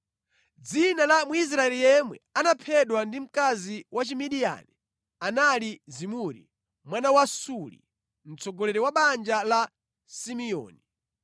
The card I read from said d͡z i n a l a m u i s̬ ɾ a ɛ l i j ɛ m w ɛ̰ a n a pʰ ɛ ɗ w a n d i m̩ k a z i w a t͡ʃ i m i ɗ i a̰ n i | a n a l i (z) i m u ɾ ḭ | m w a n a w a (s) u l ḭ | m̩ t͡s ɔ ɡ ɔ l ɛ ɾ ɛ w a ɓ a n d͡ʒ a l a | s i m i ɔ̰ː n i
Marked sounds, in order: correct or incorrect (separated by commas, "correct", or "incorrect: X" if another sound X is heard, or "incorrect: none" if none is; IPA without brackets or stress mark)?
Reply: correct, correct